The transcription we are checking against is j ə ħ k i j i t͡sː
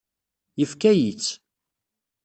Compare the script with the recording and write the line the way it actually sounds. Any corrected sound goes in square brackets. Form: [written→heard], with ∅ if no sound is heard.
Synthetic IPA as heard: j ə [ħ→f] k [i→æ] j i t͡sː

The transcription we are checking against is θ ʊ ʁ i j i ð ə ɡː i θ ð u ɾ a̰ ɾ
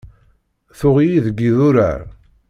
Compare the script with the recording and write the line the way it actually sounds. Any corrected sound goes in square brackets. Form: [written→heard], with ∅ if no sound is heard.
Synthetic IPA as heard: θ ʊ ʁ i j i ð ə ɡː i [θ→∅] ð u ɾ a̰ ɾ

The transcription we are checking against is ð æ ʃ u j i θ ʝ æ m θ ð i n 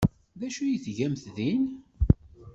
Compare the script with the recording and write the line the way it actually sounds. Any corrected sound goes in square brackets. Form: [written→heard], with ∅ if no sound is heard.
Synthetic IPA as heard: ð æ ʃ u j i θ ʝ æ m θ ð i n

